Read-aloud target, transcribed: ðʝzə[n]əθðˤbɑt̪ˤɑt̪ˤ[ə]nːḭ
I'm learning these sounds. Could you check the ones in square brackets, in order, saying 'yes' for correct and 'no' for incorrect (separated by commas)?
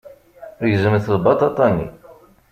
no, no